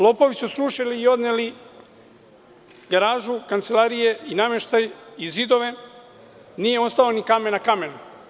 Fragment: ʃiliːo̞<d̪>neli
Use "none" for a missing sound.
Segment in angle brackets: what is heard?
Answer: d̪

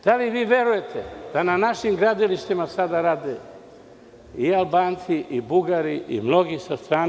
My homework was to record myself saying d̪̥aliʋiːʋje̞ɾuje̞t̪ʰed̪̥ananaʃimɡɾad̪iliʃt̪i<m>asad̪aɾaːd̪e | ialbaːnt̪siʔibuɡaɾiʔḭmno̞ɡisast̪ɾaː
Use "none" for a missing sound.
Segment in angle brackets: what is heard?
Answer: m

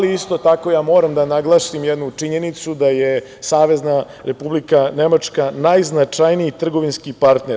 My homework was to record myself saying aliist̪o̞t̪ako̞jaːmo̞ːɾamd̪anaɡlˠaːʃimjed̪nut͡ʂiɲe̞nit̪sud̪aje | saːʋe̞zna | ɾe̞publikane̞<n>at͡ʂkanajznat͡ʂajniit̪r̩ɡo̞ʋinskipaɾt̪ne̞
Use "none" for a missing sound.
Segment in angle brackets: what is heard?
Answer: m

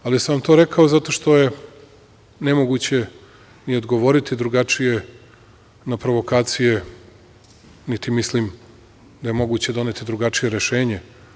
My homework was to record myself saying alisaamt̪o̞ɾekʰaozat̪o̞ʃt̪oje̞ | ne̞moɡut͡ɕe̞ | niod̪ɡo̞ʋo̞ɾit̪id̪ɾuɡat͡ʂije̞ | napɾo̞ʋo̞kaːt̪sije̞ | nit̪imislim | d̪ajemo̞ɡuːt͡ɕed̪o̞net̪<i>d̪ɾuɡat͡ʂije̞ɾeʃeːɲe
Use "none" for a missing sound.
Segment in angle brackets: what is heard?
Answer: i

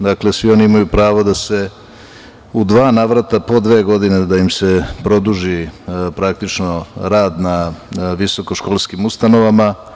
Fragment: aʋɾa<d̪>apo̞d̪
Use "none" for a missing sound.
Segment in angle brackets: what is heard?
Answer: t̪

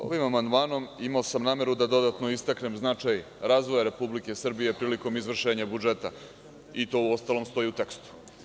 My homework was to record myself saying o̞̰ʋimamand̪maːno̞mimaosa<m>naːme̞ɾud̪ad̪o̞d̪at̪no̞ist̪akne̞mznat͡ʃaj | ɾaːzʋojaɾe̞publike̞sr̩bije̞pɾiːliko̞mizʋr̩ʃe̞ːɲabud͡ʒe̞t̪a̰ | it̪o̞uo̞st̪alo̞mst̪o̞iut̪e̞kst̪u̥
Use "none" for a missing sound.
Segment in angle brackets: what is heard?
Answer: m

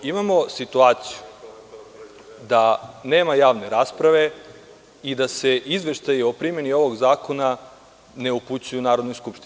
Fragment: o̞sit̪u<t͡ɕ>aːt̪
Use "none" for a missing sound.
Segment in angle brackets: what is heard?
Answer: none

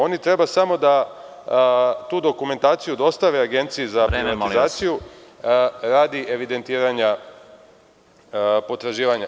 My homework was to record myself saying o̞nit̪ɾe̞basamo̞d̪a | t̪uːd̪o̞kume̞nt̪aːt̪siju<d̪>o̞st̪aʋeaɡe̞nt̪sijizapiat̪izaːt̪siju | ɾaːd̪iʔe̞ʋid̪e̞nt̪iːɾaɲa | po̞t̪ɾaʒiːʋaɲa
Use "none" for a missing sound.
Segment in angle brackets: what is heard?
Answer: d̪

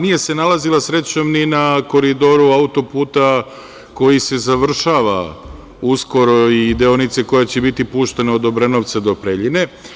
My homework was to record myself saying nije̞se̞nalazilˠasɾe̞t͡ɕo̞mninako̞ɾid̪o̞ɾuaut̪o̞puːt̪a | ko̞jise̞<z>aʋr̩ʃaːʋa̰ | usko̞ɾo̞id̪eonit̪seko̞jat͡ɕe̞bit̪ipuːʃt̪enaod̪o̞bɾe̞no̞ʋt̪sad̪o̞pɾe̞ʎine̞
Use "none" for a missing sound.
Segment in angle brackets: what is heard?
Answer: z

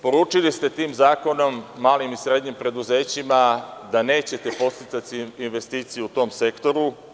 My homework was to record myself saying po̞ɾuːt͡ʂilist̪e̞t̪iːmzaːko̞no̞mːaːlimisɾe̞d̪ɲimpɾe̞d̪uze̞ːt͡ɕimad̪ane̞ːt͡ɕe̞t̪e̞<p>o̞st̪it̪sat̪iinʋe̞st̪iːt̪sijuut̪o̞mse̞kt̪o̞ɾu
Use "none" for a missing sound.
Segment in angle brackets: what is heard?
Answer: p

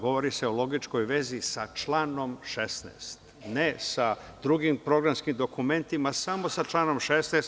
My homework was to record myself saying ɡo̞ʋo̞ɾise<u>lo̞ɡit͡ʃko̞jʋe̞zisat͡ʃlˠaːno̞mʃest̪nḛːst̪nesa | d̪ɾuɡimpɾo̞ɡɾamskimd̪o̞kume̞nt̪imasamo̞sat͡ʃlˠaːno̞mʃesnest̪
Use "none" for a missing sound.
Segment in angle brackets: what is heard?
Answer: o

